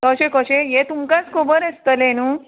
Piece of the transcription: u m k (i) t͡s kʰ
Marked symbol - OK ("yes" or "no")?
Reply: no